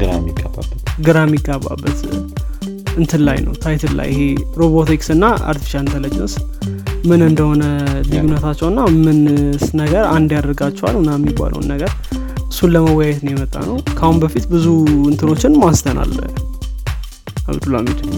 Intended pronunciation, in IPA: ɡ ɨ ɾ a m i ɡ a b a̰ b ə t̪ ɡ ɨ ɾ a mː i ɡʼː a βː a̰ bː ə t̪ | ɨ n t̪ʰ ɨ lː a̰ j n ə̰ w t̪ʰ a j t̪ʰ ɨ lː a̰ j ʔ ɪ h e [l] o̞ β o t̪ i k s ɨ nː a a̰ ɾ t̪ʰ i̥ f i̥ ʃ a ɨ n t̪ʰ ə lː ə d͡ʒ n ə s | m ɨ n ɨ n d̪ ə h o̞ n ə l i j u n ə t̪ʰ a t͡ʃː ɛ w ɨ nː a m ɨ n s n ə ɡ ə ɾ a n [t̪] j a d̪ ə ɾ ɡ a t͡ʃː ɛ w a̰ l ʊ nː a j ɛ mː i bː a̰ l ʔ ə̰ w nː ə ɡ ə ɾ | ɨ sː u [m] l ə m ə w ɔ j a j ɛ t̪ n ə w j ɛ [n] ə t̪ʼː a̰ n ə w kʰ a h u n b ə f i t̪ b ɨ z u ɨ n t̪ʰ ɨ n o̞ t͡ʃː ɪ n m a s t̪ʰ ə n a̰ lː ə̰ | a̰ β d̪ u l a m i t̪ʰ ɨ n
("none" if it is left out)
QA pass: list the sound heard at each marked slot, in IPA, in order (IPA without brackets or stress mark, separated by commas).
ɾ, d̪, n, m